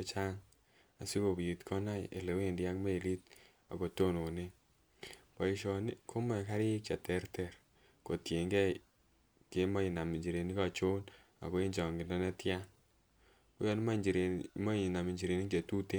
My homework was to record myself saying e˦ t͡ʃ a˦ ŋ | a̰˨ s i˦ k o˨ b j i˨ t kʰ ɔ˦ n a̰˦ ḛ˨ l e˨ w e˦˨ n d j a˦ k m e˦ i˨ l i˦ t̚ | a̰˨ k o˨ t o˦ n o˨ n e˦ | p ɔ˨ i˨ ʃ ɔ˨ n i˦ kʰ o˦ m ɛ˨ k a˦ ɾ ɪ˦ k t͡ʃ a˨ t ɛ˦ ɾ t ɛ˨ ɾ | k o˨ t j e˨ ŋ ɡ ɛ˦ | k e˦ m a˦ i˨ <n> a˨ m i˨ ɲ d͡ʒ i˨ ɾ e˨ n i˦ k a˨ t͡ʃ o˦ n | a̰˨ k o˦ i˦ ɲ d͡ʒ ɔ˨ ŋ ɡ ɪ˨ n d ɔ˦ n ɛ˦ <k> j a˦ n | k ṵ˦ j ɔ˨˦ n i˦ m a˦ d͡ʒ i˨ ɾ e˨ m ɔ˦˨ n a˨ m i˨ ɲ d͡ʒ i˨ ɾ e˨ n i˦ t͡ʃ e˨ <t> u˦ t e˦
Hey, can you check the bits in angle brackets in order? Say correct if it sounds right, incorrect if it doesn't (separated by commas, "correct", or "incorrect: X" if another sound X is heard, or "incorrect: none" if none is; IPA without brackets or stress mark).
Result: correct, incorrect: t, correct